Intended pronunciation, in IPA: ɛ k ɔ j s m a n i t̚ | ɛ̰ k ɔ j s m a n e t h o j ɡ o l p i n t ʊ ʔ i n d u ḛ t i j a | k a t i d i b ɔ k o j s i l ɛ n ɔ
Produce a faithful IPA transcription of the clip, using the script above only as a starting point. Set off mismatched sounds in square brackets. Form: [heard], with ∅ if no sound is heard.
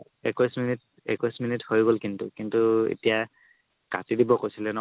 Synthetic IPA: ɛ k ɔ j s m [i] n i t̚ | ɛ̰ k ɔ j s m [i] n [i] t h o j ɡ o l [k] i n t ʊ [k] i n [t] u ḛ t i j a | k a t i d i b ɔ k o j s i l ɛ n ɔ